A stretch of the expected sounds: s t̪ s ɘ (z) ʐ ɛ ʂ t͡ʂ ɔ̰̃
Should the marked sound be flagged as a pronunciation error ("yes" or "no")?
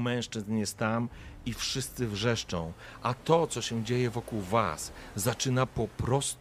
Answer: yes